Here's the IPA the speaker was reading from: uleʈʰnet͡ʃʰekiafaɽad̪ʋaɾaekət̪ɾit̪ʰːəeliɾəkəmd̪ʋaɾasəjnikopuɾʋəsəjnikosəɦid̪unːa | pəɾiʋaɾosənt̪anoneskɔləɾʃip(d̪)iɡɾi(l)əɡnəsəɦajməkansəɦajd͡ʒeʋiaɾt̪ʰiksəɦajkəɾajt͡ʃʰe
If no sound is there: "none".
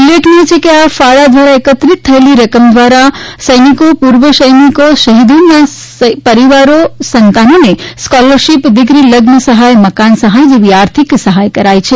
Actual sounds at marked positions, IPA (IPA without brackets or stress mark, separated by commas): d̪, l